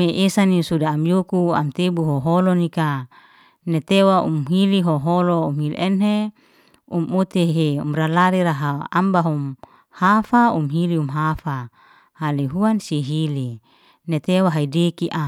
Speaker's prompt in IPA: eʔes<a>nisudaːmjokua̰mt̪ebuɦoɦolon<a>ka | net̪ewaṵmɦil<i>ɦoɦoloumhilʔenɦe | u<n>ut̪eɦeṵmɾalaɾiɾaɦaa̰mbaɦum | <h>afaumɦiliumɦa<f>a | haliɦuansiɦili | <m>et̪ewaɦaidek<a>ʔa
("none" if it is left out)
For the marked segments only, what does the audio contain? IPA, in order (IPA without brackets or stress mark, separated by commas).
a, i, i, m, h, f, n, i